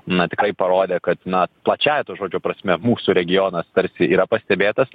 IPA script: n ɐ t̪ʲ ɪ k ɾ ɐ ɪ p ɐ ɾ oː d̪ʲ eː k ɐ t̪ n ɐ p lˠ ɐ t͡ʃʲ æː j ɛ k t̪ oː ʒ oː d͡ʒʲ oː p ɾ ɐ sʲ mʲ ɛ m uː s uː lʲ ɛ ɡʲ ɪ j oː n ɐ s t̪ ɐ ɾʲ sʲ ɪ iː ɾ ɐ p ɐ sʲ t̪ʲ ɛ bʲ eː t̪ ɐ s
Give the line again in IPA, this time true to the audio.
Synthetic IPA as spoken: n ɐ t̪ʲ ɪ k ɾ ɐ ɪ p ɐ ɾ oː d̪ʲ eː k ɐ t̪ n ɐ p lˠ ɐ t͡ʃʲ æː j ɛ t̪ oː ʒ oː d͡ʒʲ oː p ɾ ɐ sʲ mʲ ɛ m uː s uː ɾʲ ɛ ɡʲ ɪ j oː n ɐ s t̪ ɐ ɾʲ sʲ ɪ iː ɾ ɐ p ɐ sʲ t̪ʲ ɛ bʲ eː t̪ ɐ s